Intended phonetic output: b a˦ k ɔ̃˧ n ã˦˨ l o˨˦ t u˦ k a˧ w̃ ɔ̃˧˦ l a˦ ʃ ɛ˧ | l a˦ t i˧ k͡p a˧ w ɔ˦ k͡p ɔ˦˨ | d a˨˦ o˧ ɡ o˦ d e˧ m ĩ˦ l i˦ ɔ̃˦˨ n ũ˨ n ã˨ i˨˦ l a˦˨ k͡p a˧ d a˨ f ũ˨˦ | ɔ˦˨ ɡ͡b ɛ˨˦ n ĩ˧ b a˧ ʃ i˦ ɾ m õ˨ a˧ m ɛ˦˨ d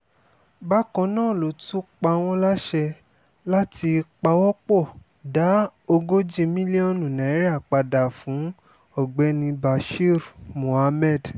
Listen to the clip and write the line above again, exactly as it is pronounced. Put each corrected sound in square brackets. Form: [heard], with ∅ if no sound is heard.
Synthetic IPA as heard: b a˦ k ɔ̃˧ n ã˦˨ l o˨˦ t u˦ [k͡p] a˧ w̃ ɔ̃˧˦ l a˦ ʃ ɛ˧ | l a˦ t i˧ k͡p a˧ w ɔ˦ k͡p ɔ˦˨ | d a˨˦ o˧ ɡ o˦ [d͡ʒ] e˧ m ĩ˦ l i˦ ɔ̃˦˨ n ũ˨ n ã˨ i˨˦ [ɾ] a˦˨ k͡p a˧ d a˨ f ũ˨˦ | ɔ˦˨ ɡ͡b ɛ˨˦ n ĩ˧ b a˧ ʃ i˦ ɾ m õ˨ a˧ m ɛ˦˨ d